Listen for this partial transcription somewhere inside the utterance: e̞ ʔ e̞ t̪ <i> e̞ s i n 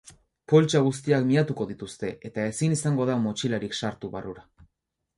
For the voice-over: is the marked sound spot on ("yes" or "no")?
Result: no